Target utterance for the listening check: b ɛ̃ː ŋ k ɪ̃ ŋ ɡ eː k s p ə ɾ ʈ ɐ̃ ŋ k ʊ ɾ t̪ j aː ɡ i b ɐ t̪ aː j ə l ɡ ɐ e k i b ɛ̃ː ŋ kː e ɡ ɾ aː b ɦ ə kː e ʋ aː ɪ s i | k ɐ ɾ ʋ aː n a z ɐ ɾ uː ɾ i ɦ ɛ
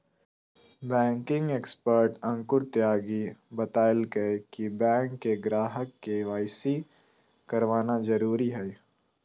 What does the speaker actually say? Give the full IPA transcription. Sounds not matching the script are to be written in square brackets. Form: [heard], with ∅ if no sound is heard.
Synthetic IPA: b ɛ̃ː ŋ k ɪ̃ ŋ ɡ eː k s p ə ɾ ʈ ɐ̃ ŋ k ʊ ɾ t̪ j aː ɡ i b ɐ t̪ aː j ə l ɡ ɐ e k i b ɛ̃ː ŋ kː e ɡ ɾ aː [∅] ɦ ə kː e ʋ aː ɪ s i | k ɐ ɾ ʋ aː n a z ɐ ɾ uː ɾ i ɦ ɛ